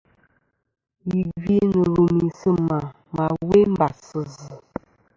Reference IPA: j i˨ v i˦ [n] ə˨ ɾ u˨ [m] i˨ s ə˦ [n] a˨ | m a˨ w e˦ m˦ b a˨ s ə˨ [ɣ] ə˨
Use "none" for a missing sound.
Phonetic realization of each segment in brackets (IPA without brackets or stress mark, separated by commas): n, m, m, z